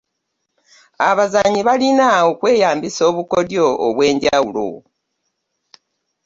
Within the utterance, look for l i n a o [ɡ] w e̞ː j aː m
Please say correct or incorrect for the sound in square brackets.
incorrect